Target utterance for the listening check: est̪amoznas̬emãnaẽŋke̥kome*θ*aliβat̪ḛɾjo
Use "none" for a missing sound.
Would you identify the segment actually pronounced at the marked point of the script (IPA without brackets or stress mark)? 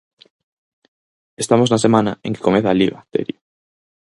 θ